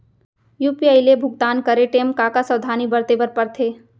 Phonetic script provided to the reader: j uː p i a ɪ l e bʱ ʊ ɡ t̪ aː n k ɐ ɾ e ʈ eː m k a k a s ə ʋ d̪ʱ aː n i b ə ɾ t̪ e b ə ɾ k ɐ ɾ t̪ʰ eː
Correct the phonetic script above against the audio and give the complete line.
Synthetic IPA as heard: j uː p i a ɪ l e bʱ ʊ ɡ t̪ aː n k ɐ ɾ e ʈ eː m k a k a s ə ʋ d̪ʱ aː n i b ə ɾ t̪ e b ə ɾ p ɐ ɾ t̪ʰ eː